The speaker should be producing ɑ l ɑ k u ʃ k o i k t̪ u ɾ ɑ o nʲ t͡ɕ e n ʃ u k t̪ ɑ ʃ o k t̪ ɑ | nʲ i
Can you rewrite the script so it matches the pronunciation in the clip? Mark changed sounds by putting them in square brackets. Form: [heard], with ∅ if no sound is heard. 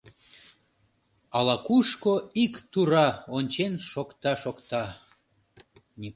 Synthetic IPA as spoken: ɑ l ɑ k u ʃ k o i k t̪ u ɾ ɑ o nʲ t͡ɕ e n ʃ [o] k t̪ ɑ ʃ o k t̪ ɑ | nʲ i